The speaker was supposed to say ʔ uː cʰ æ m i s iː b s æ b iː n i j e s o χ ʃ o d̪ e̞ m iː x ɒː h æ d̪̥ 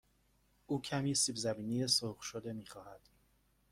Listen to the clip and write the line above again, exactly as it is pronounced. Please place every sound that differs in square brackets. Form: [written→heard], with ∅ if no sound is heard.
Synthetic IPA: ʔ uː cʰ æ m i s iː b [s→z] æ b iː n i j e s o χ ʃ o d̪ e̞ m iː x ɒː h æ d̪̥